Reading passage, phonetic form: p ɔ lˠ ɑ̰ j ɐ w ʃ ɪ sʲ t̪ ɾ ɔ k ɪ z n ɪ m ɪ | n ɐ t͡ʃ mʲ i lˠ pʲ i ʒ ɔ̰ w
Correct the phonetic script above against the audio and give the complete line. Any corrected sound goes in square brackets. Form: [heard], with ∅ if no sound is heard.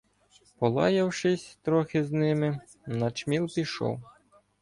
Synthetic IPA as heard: p ɔ lˠ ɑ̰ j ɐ w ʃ ɪ sʲ t̪ ɾ ɔ [x] ɪ z n ɪ m ɪ | n ɐ t͡ʃ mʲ i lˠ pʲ i [ʃ] ɔ̰ w

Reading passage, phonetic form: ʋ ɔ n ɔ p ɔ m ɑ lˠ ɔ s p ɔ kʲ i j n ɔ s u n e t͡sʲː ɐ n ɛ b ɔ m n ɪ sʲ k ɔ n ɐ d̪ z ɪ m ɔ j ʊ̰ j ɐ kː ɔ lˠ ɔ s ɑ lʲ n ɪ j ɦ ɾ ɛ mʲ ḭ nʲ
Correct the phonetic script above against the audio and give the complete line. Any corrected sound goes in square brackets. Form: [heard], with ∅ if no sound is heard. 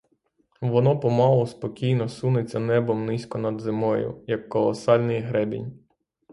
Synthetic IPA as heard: ʋ ɔ n ɔ p ɔ m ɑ lˠ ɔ s p ɔ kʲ i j n ɔ s u n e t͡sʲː ɐ n ɛ b ɔ m n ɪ sʲ k ɔ n ɐ d̪ z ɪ m ɔ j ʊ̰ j ɐ kː ɔ lˠ ɔ s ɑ lʲ n ɪ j ɦ ɾ ɛ [bʲ] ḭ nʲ

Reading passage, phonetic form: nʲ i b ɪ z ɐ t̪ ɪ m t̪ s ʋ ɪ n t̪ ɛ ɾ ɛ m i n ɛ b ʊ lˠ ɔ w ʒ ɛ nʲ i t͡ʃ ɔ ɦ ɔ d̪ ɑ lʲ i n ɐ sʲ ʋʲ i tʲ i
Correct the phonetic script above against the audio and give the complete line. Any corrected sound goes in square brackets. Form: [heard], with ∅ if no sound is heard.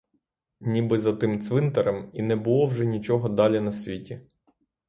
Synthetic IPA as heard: nʲ i b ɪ z ɐ t̪ ɪ m t̪ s ʋ ɪ n t̪ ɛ ɾ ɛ m i n ɛ b ʊ lˠ ɔ w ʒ ɛ nʲ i t͡ʃ ɔ ɦ ɔ d̪ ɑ lʲ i n ɐ sʲ ʋʲ i tʲ i

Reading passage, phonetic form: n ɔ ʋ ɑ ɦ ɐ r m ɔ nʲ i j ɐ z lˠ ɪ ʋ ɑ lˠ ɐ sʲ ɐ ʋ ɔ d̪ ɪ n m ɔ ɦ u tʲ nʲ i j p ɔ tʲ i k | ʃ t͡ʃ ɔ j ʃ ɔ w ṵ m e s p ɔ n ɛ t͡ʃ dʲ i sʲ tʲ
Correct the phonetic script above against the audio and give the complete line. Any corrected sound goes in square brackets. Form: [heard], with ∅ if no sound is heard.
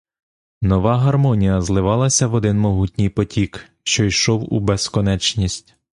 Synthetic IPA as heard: n ɔ ʋ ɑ ɦ ɐ r m ɔ nʲ i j ɐ z lˠ ɪ ʋ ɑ lˠ ɐ sʲ ɐ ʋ ɔ d̪ ɪ n m ɔ ɦ u tʲ nʲ i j p ɔ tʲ i k | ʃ t͡ʃ ɔ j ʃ ɔ w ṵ [b] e s [k] ɔ n ɛ t͡ʃ [nʲ] i sʲ tʲ

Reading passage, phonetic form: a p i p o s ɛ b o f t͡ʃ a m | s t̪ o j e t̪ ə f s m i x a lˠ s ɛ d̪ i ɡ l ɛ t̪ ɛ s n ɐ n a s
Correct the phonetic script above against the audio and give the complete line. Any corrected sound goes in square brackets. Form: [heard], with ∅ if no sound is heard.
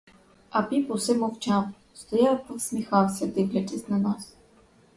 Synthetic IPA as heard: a p i p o s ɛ [m] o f t͡ʃ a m | s t̪ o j [a] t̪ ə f s m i x a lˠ s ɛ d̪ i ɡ l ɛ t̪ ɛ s n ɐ n a s

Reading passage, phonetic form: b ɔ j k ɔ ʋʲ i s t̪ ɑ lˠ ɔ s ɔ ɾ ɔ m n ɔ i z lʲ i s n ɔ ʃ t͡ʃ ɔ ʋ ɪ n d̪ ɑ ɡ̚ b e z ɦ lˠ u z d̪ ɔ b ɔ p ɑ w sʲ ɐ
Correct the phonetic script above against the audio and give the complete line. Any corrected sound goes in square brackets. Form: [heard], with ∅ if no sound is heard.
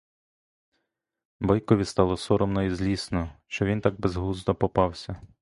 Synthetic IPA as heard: b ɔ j k ɔ ʋʲ i s t̪ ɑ lˠ ɔ s ɔ ɾ ɔ m n ɔ i z lʲ i s n ɔ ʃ t͡ʃ ɔ ʋ [i] n [t̪] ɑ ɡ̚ b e z ɦ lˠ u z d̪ ɔ [p] ɔ p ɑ w sʲ ɐ

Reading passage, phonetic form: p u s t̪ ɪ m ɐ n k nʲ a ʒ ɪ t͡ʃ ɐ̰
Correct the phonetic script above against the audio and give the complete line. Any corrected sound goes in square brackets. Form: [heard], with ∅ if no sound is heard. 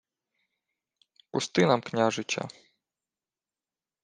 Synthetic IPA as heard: p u s t̪ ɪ [n] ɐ [m] k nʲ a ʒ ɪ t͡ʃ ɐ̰

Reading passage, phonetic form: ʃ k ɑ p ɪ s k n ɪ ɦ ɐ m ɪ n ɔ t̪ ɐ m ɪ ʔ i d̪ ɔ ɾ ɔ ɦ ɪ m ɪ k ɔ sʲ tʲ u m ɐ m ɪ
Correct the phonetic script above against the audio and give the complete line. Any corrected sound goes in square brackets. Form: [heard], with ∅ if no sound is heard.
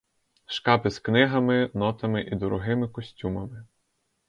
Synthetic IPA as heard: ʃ k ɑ p ɪ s k n ɪ ɦ ɐ m ɪ n ɔ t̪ ɐ m ɪ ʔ i d̪ ɔ ɾ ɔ ɦ ɪ m ɪ k ɔ sʲ tʲ u m ɐ m ɪ

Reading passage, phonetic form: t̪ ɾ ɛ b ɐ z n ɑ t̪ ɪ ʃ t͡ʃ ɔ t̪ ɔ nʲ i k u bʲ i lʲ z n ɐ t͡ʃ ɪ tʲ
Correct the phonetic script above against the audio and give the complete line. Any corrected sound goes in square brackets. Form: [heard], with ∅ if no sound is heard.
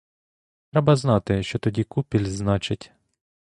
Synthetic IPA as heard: t̪ ɾ ɛ b ɐ z n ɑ t̪ ɪ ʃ t͡ʃ ɔ t̪ ɔ [dʲ] i k u [pʲ] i lʲ z n [ɑ] t͡ʃ ɪ tʲ

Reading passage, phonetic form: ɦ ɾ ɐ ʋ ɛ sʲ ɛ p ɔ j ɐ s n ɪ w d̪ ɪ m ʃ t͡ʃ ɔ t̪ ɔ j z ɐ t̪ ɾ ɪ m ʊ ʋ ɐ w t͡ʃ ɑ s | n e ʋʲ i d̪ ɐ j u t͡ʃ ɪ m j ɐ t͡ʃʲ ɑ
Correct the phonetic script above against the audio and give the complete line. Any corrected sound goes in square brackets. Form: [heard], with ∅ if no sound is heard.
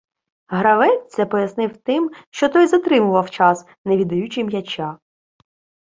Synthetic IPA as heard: ɦ ɾ ɐ ʋ ɛ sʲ ɛ p ɔ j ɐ s n ɪ w [t̪] ɪ m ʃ t͡ʃ ɔ t̪ ɔ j z ɐ t̪ ɾ ɪ m ʊ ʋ ɐ w t͡ʃ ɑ s | n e ʋʲ i d̪ ɐ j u t͡ʃ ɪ m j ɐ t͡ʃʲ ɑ

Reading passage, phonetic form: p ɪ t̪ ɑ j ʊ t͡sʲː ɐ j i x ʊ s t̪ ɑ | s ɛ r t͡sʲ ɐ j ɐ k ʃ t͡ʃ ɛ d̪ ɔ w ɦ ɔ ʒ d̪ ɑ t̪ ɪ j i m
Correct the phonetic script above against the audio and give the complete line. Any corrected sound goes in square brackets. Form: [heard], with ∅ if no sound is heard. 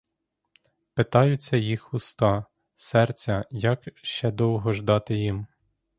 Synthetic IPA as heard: p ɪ t̪ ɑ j ʊ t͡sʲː ɐ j i x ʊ s t̪ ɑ | s ɛ r t͡sʲ ɐ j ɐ k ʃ t͡ʃ ɛ d̪ ɔ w ɦ ɔ ʒ d̪ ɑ t̪ ɪ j i m

